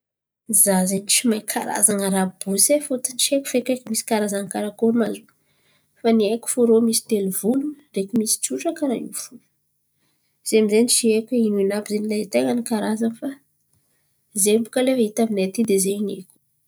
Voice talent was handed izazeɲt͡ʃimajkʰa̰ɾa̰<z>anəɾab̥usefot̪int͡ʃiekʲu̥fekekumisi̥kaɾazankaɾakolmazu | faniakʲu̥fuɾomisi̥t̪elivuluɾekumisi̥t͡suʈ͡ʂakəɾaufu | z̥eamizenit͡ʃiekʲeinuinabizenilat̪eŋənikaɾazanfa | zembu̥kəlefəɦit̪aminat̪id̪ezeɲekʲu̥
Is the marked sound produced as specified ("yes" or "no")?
yes